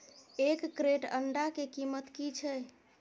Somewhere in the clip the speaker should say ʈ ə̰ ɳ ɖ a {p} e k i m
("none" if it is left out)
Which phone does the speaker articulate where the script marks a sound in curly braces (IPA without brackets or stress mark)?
k